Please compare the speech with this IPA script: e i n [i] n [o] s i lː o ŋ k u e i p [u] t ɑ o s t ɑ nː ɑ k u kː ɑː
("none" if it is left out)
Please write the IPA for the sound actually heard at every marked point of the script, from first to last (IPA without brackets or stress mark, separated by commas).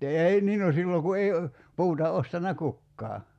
iː, o, uː